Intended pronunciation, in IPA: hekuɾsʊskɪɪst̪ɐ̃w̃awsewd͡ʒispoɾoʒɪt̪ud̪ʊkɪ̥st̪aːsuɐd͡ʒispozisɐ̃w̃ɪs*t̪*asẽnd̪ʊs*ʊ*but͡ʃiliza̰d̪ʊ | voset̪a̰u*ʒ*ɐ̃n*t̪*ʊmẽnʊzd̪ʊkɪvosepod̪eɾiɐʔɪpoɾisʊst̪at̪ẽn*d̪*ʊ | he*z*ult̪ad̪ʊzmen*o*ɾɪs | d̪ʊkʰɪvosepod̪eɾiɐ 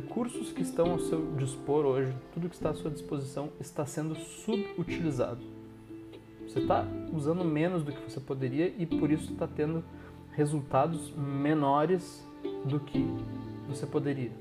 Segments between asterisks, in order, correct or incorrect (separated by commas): correct, incorrect, incorrect, incorrect, correct, correct, incorrect